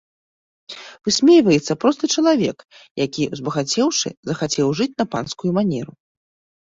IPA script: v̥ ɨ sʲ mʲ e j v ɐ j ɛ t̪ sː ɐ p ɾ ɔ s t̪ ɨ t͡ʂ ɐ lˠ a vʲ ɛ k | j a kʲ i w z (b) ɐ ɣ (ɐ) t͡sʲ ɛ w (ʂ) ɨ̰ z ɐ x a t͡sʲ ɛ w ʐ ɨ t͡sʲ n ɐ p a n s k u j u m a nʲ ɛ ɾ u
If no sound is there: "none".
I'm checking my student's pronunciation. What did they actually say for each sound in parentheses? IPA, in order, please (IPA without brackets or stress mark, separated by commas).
b, a, ʂ